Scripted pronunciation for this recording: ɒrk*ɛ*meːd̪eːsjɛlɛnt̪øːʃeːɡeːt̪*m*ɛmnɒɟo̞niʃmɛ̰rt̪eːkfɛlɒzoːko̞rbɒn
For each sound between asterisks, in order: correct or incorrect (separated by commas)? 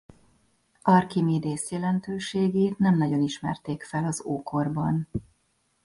incorrect, incorrect